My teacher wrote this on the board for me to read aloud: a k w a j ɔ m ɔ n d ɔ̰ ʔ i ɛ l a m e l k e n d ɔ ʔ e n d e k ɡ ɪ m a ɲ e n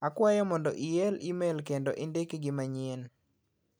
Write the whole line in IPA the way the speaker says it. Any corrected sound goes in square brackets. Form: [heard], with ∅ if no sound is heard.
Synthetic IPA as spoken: a k w a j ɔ m ɔ n d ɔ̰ ʔ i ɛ l [i] m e l k e n d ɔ ʔ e n d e k ɡ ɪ m a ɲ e n